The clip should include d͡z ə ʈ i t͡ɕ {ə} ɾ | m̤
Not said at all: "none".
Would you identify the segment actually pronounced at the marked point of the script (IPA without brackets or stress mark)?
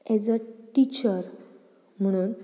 ə